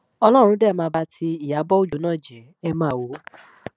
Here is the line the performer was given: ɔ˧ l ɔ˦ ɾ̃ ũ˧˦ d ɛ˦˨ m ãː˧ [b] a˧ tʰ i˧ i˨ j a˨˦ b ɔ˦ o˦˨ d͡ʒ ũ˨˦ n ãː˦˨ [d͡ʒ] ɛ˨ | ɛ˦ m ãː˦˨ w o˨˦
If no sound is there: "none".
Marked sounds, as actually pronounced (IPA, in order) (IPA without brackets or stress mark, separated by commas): b, d͡ʒ